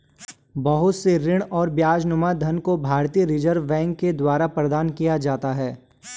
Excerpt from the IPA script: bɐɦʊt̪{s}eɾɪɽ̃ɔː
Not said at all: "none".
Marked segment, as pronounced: s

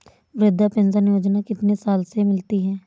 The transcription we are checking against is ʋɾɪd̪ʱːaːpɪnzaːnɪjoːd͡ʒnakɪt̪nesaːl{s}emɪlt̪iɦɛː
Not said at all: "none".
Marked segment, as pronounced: s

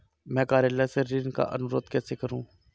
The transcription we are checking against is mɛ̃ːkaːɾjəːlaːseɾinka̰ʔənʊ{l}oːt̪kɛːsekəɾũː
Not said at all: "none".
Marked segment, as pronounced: ɾ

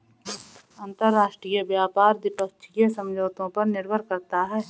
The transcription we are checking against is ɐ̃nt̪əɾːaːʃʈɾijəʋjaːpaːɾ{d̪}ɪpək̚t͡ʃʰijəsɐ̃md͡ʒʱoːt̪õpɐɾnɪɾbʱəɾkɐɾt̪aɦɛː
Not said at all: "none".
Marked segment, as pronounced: d̪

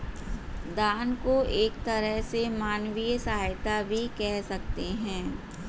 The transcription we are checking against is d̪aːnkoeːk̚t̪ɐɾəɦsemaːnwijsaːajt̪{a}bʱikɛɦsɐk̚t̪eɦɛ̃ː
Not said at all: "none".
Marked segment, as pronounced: a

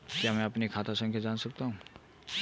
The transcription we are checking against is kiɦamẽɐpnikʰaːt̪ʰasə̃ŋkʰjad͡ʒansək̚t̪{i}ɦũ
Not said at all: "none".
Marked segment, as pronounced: a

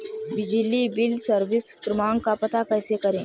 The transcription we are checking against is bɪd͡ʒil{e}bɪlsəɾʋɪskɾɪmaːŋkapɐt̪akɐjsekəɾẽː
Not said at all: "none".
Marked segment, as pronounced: i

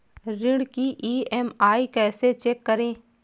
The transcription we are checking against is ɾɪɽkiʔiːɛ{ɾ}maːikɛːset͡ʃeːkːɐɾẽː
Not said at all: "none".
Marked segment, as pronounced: none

